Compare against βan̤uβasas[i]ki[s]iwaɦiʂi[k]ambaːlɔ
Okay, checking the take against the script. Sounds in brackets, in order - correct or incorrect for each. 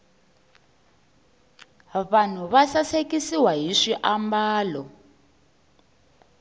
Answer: incorrect: e, correct, incorrect: ʔ

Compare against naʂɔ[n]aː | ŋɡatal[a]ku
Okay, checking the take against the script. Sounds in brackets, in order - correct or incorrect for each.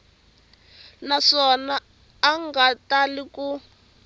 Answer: correct, incorrect: i

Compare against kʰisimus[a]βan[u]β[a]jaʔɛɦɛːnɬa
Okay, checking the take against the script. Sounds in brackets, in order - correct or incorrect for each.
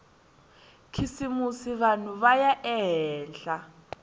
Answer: incorrect: i, correct, correct

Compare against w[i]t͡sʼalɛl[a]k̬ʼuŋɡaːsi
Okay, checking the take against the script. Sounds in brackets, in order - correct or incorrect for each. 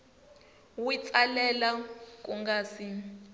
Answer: correct, correct

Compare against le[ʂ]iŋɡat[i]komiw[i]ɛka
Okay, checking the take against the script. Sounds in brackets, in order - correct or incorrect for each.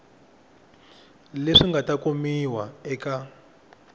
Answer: correct, incorrect: a, incorrect: a

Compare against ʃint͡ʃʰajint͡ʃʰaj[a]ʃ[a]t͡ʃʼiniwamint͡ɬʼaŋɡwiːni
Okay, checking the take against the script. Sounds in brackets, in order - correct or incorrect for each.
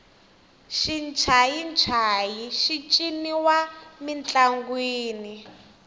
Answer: incorrect: i, incorrect: i

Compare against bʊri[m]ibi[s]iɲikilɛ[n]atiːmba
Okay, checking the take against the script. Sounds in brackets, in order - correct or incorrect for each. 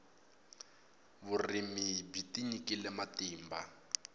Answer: correct, incorrect: t, incorrect: m

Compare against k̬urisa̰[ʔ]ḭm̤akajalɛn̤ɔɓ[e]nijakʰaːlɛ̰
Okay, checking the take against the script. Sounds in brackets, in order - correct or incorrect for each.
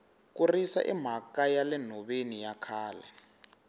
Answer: correct, correct

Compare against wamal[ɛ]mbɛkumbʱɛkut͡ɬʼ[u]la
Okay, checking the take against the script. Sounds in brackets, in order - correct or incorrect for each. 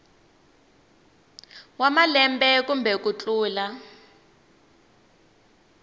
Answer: correct, incorrect: uː

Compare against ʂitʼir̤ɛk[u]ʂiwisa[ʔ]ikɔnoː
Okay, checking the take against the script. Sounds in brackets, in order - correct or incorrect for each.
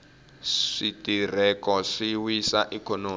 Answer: incorrect: ɔ, correct

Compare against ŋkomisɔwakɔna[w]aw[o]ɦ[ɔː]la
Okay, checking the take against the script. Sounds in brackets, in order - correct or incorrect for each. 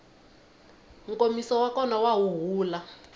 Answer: correct, incorrect: u, incorrect: uː

